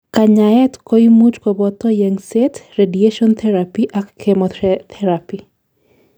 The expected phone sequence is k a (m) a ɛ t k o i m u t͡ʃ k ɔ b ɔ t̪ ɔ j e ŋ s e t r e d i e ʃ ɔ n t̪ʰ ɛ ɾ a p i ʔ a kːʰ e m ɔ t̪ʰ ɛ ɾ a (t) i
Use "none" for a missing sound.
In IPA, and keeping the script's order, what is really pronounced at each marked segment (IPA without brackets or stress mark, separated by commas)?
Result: ɲ, p